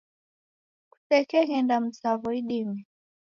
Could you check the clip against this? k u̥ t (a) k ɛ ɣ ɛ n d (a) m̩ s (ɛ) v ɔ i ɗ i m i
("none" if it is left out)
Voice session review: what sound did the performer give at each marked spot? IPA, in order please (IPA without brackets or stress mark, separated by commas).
ɛ, a, a